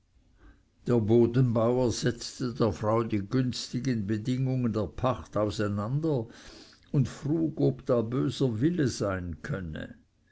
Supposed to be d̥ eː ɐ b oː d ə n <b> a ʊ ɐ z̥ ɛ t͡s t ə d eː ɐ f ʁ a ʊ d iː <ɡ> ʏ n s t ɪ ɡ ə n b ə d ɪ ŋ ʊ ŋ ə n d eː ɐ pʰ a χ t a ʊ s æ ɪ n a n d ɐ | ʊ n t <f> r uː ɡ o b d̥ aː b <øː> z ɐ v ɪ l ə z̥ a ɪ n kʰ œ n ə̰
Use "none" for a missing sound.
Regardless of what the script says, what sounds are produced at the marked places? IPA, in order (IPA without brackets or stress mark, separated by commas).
b, ɡ, f, øː